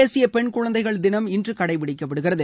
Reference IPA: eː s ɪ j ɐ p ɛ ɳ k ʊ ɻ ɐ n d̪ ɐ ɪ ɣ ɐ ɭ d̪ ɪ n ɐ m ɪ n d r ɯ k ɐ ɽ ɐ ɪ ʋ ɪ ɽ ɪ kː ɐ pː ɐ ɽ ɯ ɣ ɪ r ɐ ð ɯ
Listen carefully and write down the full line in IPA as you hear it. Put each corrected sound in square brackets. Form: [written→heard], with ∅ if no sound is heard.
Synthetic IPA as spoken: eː s ɪ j ɐ p ɛ ɳ k ʊ ɻ ɐ n d̪ ɐ ɪ ɣ ɐ ɭ d̪ ɪ n ɐ m ɪ n d r ɯ k ɐ ɽ ɐ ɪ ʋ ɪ ɽ ɪ kː ɐ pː ɐ ɽ ɯ ɣ ɪ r ɐ ð ɯ

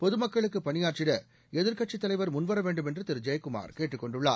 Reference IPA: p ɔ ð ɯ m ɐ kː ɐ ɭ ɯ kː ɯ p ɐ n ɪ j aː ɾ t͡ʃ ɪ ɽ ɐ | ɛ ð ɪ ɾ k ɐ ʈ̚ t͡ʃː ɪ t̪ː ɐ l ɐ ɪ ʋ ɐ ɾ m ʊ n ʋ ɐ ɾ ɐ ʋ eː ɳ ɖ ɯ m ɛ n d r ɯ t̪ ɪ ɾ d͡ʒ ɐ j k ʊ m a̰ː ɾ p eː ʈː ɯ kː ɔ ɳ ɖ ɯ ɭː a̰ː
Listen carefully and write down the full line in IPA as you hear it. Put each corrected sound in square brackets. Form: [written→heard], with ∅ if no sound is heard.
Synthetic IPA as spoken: p ɔ ð ɯ m ɐ kː ɐ ɭ ɯ kː ɯ p ɐ n ɪ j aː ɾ t͡ʃ ɪ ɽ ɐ | ɛ ð ɪ ɾ k ɐ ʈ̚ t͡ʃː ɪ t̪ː ɐ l ɐ ɪ ʋ ɐ ɾ m ʊ n ʋ ɐ ɾ ɐ ʋ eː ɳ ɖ ɯ m ɛ n d r ɯ t̪ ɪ ɾ d͡ʒ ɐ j k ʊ m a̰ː ɾ [p→k] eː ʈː ɯ kː ɔ ɳ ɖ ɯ ɭː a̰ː

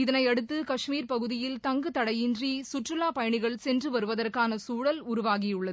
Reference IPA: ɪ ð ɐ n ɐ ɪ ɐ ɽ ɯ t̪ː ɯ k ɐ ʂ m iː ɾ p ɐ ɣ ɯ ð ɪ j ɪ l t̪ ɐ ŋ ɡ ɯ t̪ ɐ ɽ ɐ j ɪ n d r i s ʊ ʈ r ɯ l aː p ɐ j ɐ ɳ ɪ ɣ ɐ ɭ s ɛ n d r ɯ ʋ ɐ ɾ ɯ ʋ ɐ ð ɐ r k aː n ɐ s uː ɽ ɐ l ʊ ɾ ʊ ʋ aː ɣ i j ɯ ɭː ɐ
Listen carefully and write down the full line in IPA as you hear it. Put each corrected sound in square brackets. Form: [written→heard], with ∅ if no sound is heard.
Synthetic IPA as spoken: ɪ ð ɐ n ɐ ɪ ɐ ɽ ɯ t̪ː ɯ k ɐ ʂ m iː ɾ p ɐ ɣ ɯ ð ɪ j ɪ l t̪ ɐ ŋ ɡ ɯ t̪ ɐ ɽ ɐ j ɪ n d r i s ʊ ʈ r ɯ l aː p ɐ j ɐ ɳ ɪ ɣ ɐ ɭ s ɛ n d r ɯ ʋ ɐ ɾ ɯ ʋ ɐ ð ɐ r k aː n ɐ s uː ɽ ɐ l ʊ ɾ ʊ ʋ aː ɣ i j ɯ ɭː ɐ

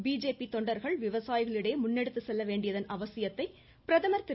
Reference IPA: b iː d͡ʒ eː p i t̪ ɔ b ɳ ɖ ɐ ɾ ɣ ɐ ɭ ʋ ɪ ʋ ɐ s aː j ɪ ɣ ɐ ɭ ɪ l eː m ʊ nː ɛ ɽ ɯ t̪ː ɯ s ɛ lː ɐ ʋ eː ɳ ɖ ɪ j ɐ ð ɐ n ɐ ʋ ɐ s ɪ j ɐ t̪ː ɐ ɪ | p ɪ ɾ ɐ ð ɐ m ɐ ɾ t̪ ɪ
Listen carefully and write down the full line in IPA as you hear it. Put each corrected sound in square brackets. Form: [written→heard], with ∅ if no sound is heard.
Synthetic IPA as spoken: b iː d͡ʒ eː p i t̪ ɔ [b→∅] ɳ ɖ ɐ ɾ ɣ ɐ ɭ ʋ ɪ ʋ ɐ s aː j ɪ ɣ ɐ ɭ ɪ [l→ɽ] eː m ʊ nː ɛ ɽ ɯ t̪ː ɯ s ɛ lː ɐ ʋ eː ɳ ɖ ɪ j ɐ ð ɐ n ɐ ʋ ɐ s ɪ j ɐ t̪ː ɐ ɪ | p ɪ ɾ ɐ ð ɐ m ɐ ɾ t̪ ɪ

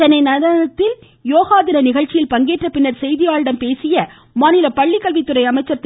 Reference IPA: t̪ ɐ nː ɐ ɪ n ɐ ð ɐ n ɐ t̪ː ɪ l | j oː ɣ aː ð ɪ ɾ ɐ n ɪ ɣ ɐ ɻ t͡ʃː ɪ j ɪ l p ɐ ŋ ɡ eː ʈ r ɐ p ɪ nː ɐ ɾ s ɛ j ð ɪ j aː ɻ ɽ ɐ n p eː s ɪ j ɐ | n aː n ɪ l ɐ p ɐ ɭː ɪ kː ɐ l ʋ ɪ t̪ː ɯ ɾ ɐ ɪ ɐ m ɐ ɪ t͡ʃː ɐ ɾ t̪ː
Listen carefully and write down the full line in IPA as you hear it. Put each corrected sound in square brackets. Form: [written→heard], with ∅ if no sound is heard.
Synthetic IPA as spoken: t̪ ɐ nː ɐ ɪ n ɐ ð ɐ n ɐ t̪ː ɪ l | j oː ɣ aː ð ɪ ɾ ɐ n ɪ ɣ ɐ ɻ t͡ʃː ɪ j ɪ l p ɐ ŋ ɡ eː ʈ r ɐ p ɪ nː ɐ ɾ s ɛ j ð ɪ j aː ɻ ɽ ɐ [n→m] p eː s ɪ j ɐ | [n→m] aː n ɪ l ɐ p ɐ ɭː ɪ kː ɐ l ʋ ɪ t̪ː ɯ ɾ ɐ ɪ ɐ m ɐ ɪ t͡ʃː ɐ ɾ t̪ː

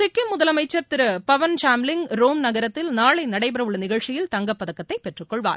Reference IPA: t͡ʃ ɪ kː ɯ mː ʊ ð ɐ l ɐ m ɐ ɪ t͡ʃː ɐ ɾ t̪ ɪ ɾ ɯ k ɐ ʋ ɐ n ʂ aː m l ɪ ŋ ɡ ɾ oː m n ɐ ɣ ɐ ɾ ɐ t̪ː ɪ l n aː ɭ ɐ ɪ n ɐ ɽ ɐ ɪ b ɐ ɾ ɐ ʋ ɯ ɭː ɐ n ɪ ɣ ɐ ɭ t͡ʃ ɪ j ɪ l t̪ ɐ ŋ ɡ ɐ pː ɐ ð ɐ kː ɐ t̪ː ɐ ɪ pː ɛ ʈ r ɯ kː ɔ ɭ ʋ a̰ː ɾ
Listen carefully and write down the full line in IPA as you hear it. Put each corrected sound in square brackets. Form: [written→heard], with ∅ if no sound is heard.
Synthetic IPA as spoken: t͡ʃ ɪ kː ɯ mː ʊ ð ɐ l ɐ m ɐ ɪ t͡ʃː ɐ ɾ t̪ ɪ ɾ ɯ [k→p] ɐ ʋ ɐ n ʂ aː m l ɪ ŋ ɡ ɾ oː m n ɐ ɣ ɐ ɾ ɐ t̪ː ɪ l n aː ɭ ɐ ɪ n ɐ ɽ ɐ ɪ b ɐ ɾ ɐ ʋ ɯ ɭː ɐ n ɪ ɣ ɐ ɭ t͡ʃ ɪ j ɪ l t̪ ɐ ŋ ɡ ɐ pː ɐ ð ɐ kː ɐ t̪ː ɐ ɪ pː ɛ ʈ r ɯ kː ɔ ɭ ʋ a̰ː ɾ

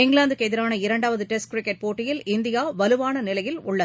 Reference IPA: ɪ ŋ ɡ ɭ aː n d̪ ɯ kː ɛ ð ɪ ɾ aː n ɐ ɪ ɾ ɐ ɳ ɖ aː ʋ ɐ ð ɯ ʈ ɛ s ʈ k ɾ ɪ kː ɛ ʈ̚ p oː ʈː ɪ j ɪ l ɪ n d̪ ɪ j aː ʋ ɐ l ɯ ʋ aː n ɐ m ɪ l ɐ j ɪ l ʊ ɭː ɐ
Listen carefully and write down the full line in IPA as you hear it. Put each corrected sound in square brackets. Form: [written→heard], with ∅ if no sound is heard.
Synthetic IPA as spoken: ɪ ŋ ɡ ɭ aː n d̪ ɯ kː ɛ ð ɪ ɾ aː n ɐ ɪ ɾ ɐ ɳ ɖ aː ʋ ɐ ð ɯ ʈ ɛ s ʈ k ɾ ɪ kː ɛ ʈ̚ p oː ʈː ɪ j ɪ l ɪ n d̪ ɪ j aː ʋ ɐ l ɯ ʋ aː n ɐ [m→n] ɪ l ɐ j ɪ l ʊ ɭː ɐ

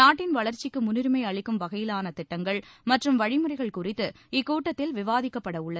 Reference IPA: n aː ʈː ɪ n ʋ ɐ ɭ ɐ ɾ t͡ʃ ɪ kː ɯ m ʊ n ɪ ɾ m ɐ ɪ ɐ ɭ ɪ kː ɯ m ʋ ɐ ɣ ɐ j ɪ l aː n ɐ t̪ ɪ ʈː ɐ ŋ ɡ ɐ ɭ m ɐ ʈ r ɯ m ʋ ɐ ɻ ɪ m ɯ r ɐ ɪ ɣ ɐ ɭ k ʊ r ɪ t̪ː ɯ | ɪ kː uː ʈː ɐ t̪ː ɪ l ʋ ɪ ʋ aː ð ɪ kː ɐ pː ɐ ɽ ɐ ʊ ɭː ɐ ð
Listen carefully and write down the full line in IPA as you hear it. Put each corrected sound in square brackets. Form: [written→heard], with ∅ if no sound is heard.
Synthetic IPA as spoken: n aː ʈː ɪ n ʋ ɐ ɭ ɐ ɾ t͡ʃ ɪ kː ɯ m ʊ n ɪ ɾ m ɐ ɪ ɐ ɭ ɪ kː ɯ m ʋ ɐ ɣ ɐ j ɪ l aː n ɐ t̪ ɪ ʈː ɐ ŋ ɡ ɐ ɭ m ɐ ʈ r ɯ m ʋ ɐ ɻ ɪ m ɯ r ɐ ɪ ɣ ɐ ɭ k ʊ r ɪ t̪ː ɯ | ɪ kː uː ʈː ɐ t̪ː ɪ l ʋ ɪ ʋ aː ð ɪ kː ɐ pː ɐ ɽ ɐ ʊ ɭː ɐ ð

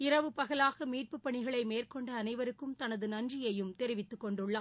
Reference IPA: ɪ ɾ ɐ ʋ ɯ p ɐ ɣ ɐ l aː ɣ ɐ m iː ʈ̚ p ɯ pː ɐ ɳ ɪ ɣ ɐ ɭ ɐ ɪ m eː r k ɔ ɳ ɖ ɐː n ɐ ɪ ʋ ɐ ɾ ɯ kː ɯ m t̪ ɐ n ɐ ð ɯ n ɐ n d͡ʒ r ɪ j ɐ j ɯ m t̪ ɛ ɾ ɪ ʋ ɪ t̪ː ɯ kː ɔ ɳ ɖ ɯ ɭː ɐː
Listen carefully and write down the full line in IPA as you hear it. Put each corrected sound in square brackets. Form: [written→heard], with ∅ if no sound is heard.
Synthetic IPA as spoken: ɪ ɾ ɐ ʋ ɯ p ɐ ɣ ɐ l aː ɣ ɐ m iː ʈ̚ p ɯ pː ɐ ɳ ɪ ɣ ɐ ɭ ɐ ɪ m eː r k ɔ ɳ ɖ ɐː n ɐ ɪ ʋ ɐ ɾ ɯ kː ɯ m t̪ ɐ n ɐ ð ɯ n ɐ n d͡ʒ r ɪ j ɐ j ɯ m t̪ ɛ ɾ ɪ ʋ ɪ t̪ː ɯ kː ɔ ɳ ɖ ɯ ɭː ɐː

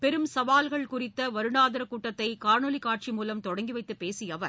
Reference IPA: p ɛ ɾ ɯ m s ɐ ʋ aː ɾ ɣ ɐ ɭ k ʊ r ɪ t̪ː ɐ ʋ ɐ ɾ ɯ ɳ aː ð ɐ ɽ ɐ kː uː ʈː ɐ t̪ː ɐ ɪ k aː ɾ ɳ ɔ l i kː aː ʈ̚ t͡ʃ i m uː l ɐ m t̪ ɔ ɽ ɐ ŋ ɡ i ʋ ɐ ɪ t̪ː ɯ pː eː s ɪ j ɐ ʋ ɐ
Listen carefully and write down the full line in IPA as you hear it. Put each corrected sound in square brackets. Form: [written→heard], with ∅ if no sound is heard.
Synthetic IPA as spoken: p ɛ ɾ ɯ m s ɐ ʋ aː [ɾ→l] ɣ ɐ ɭ k ʊ r ɪ t̪ː ɐ ʋ ɐ ɾ ɯ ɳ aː ð ɐ [ɽ→ɾ] ɐ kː uː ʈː ɐ t̪ː ɐ ɪ k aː ɾ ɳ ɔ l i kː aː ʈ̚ t͡ʃ i m uː l ɐ m t̪ ɔ ɽ ɐ ŋ ɡ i ʋ ɐ ɪ t̪ː ɯ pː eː s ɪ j ɐ ʋ ɐ

